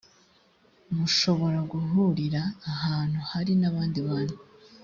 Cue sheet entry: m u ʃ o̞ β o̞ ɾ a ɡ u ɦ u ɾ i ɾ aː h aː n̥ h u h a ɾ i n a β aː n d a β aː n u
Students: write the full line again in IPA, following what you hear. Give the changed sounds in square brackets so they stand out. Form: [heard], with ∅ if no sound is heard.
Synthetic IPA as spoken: m u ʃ o̞ β o̞ ɾ a ɡ u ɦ u ɾ i ɾ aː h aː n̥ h u h a ɾ i n a β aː n d [i] β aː n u